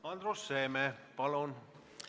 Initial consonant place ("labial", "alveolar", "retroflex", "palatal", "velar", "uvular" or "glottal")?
alveolar